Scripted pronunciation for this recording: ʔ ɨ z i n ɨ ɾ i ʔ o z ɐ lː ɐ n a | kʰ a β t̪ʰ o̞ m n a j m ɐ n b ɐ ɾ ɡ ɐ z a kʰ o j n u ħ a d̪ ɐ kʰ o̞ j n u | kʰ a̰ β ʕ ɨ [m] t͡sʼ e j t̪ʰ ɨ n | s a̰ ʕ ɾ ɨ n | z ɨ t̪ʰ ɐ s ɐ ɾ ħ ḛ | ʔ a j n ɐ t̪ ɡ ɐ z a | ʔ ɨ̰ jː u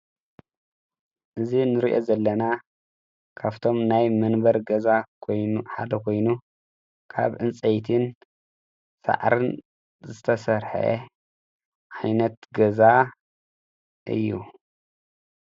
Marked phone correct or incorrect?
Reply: incorrect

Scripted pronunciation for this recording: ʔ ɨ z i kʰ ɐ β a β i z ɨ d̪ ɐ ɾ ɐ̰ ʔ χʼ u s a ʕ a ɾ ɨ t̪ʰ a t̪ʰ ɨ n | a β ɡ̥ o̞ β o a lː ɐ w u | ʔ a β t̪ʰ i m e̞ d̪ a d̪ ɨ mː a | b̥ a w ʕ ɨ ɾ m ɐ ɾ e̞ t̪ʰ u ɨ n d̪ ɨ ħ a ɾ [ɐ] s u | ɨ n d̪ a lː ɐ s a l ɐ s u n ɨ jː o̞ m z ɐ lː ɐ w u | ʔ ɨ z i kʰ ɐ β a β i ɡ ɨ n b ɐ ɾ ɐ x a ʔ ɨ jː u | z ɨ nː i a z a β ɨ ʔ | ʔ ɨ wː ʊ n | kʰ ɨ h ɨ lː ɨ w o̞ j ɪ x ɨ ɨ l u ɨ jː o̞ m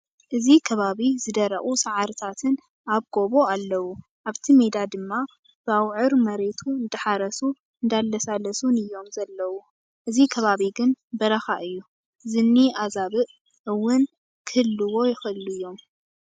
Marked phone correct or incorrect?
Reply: correct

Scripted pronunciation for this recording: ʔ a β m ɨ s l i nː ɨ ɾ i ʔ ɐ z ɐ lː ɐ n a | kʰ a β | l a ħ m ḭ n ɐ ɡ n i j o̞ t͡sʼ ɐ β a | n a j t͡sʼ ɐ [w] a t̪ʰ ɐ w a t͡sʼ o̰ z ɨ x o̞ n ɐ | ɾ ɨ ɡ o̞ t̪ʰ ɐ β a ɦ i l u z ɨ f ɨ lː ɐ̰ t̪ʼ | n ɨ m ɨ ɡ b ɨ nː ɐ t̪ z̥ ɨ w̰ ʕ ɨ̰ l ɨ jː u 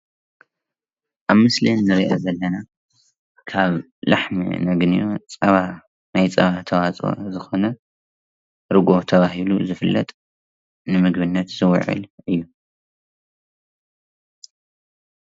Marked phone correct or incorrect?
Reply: incorrect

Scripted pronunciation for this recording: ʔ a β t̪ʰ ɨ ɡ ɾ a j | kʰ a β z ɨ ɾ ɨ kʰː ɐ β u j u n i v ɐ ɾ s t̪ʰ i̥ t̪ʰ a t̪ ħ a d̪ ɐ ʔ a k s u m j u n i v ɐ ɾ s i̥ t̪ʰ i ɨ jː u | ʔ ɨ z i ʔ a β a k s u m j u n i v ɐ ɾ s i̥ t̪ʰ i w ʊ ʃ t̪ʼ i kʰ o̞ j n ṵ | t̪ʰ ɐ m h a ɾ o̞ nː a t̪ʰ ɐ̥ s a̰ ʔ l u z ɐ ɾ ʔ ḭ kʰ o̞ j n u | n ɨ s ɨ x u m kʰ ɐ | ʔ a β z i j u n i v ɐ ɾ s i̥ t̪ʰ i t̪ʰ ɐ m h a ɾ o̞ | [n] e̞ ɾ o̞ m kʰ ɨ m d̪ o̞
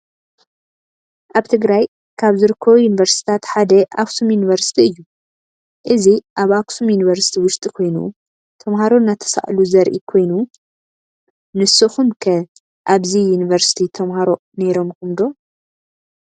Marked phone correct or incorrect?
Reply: correct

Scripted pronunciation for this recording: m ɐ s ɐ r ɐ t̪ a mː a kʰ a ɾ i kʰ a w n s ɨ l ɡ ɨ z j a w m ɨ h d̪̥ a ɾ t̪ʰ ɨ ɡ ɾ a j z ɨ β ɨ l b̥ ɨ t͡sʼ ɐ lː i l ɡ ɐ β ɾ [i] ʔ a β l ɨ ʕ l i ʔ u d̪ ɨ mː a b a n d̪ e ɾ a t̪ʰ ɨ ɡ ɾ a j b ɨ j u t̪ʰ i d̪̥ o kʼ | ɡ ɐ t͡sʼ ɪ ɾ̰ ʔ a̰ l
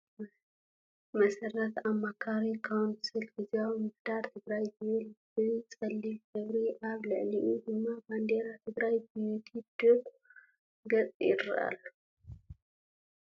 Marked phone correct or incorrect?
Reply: correct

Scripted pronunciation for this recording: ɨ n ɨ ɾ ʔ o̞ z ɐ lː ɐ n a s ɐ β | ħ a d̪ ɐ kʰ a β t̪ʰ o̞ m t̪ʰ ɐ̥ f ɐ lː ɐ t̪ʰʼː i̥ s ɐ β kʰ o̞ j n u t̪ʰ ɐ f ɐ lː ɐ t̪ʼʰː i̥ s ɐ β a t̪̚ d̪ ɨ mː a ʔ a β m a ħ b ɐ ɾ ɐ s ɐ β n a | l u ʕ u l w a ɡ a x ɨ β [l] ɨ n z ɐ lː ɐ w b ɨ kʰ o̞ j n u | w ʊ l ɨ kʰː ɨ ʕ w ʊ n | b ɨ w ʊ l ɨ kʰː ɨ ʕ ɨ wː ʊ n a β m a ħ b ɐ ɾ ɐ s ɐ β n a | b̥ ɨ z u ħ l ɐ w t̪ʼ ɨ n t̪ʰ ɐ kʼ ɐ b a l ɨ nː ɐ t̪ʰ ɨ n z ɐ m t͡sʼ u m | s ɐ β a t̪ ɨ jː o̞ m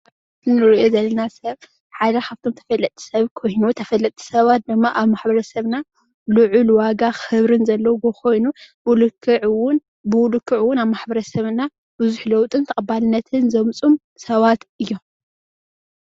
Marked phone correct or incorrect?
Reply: incorrect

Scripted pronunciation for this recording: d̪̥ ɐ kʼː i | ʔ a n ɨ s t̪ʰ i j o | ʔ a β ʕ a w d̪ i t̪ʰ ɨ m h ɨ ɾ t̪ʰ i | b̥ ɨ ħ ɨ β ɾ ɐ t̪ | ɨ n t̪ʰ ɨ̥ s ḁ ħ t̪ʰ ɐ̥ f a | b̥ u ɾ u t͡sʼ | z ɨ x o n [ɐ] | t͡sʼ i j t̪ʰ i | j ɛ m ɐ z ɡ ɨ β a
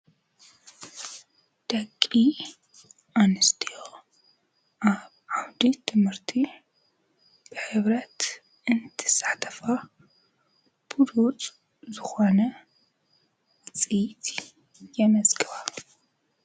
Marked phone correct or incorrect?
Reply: correct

